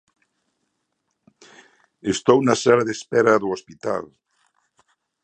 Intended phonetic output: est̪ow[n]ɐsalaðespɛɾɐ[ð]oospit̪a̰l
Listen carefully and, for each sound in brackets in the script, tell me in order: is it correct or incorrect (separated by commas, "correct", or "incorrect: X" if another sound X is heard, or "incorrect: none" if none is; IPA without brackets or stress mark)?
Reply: correct, correct